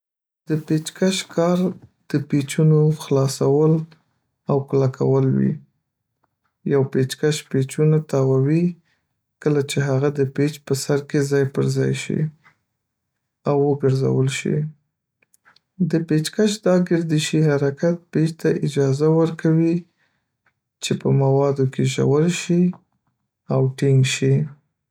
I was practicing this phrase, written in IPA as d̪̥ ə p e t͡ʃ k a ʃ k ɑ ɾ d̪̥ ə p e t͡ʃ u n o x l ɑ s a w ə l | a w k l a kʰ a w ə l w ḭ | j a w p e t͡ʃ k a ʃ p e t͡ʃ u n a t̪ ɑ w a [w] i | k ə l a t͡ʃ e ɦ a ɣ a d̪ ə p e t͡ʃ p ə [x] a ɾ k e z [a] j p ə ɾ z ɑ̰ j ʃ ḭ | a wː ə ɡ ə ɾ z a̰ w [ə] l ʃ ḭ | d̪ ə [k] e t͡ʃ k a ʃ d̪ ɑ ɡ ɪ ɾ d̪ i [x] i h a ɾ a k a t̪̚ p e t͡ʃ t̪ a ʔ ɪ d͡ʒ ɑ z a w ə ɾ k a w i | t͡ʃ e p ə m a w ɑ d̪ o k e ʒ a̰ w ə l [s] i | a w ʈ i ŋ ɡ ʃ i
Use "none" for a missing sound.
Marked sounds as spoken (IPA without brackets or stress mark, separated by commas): w, s, ɑ, ə, p, ʃ, ʃ